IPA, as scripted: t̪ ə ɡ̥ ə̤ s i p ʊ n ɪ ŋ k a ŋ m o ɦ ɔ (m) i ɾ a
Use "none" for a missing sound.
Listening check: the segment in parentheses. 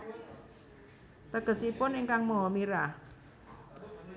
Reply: m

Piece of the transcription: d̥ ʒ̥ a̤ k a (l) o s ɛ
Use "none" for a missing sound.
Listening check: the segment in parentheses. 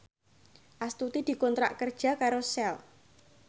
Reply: ɾ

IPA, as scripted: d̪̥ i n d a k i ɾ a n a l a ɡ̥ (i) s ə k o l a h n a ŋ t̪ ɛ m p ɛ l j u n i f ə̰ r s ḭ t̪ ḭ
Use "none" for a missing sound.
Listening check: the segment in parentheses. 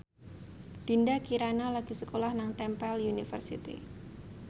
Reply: i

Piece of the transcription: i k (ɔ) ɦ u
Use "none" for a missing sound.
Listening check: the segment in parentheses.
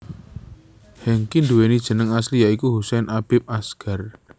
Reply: u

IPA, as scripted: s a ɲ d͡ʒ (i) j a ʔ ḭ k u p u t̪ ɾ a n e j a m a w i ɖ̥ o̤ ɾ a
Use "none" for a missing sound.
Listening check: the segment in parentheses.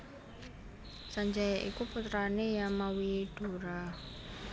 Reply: a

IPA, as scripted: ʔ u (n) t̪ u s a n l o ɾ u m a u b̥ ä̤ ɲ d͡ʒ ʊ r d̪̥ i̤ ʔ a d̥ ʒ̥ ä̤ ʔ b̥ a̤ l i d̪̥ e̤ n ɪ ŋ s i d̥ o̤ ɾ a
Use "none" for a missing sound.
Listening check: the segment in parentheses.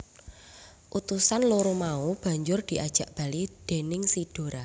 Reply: none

